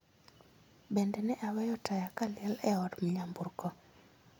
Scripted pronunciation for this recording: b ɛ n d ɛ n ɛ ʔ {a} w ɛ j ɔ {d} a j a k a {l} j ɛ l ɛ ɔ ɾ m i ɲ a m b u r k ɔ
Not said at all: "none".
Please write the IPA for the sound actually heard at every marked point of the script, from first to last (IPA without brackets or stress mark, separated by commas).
a, t, l